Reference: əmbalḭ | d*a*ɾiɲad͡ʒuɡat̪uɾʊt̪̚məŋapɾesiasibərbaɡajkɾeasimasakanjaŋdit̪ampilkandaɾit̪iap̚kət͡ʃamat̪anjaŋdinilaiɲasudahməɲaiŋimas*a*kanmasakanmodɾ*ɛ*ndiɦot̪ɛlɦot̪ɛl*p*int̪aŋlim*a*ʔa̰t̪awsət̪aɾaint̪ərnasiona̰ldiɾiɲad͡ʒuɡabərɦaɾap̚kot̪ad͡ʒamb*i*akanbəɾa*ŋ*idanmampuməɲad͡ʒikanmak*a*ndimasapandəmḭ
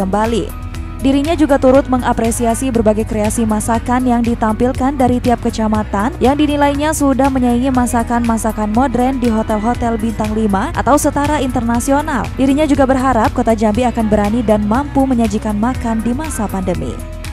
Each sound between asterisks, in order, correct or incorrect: incorrect: i, correct, correct, incorrect: b, correct, correct, incorrect: n, correct

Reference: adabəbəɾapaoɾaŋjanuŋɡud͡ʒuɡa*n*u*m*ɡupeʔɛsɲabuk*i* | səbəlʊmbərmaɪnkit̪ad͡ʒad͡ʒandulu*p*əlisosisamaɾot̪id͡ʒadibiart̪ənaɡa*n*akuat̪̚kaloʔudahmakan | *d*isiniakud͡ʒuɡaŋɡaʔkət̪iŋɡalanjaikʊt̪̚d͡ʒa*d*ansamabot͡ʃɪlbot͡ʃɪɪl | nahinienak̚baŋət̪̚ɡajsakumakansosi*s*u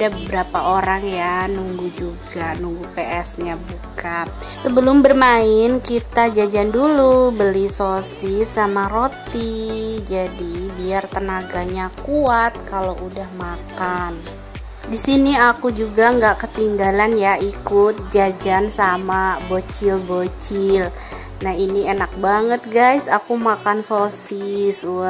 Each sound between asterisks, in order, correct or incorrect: correct, incorrect: ŋ, incorrect: a, incorrect: b, incorrect: ɲ, correct, incorrect: d͡ʒ, correct

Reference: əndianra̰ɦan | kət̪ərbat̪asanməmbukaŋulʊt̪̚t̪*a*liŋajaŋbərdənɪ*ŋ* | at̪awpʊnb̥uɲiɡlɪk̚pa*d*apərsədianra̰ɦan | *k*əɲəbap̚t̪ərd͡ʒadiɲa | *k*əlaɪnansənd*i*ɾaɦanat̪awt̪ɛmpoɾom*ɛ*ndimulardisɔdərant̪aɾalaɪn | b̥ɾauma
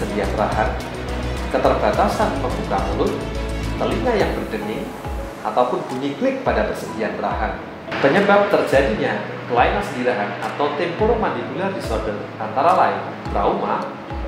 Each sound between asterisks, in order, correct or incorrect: incorrect: ə, correct, correct, incorrect: p, correct, correct, incorrect: a

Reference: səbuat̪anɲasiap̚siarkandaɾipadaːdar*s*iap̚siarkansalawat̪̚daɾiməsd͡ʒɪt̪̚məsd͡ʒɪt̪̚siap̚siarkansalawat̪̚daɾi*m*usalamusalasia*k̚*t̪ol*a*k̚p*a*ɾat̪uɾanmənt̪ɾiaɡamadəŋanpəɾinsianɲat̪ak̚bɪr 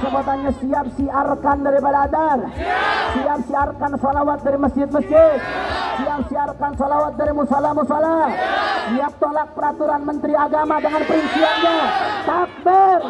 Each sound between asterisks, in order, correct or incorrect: correct, correct, incorrect: p̚, correct, incorrect: ə

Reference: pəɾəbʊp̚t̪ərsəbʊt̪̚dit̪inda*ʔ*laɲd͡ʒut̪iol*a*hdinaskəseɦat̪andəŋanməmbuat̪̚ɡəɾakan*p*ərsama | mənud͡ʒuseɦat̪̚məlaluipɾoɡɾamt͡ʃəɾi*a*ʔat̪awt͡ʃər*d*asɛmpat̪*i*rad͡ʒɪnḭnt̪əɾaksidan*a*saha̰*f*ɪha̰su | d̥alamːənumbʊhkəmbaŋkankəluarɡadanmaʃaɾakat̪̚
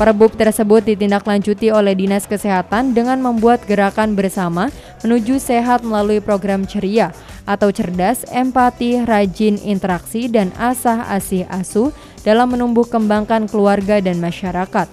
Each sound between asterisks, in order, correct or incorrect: incorrect: k, incorrect: ɛ, incorrect: b, correct, correct, correct, correct, incorrect: s

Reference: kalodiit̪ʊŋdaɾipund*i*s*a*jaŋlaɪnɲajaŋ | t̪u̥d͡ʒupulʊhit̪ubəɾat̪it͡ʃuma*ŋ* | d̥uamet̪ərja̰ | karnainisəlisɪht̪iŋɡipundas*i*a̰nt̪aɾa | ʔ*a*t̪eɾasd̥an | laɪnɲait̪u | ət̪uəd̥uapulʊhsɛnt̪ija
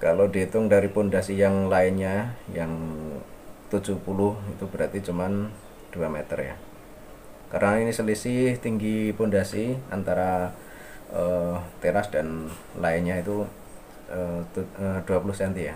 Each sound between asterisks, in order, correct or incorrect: incorrect: a, incorrect: i, incorrect: n, correct, incorrect: ə

